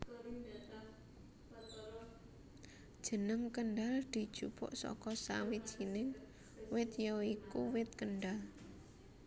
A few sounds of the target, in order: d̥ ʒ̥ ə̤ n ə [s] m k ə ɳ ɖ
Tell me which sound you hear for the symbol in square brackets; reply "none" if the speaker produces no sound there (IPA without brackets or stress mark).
none